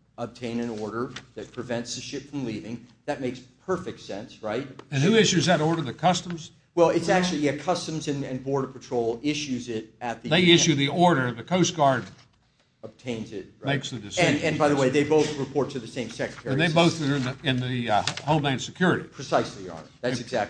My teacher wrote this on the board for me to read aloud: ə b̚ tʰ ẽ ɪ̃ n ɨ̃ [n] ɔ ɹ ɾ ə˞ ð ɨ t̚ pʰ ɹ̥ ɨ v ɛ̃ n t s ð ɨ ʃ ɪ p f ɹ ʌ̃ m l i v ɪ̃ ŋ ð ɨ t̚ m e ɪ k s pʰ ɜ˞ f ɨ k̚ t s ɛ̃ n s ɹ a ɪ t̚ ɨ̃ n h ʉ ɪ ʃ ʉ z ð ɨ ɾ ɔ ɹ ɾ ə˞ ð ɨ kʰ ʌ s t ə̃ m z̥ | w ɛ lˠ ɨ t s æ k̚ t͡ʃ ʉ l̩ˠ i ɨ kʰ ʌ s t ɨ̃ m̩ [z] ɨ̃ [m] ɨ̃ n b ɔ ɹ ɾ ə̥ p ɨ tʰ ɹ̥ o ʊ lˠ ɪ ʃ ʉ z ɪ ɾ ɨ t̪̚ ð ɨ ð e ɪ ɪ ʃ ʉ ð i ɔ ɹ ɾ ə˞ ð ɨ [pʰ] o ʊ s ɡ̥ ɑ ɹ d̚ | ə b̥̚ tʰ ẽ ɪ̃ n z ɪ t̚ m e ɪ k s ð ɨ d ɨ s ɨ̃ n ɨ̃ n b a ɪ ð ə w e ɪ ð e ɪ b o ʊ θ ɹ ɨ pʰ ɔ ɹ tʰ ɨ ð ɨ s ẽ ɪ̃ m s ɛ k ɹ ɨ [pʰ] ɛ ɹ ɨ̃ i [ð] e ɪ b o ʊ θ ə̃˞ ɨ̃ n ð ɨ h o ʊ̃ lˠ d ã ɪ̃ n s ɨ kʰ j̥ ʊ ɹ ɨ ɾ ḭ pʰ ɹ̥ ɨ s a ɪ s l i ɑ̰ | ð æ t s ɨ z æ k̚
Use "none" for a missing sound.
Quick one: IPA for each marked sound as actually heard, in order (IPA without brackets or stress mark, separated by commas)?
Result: n, z, n, kʰ, tʰ, ð